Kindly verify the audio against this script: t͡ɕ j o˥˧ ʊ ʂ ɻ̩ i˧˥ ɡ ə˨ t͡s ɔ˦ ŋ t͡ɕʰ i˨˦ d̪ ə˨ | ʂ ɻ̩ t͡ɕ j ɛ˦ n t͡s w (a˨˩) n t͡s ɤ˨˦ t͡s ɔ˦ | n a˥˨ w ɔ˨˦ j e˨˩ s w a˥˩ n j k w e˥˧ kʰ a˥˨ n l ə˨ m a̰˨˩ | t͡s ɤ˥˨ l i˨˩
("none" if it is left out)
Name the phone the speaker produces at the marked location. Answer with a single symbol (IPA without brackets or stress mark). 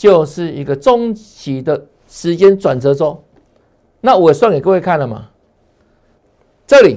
a˨˩